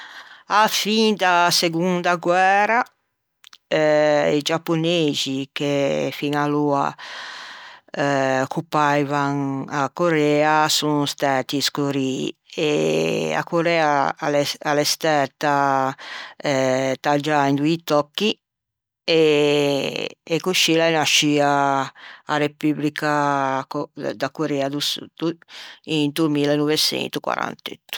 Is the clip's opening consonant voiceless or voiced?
voiceless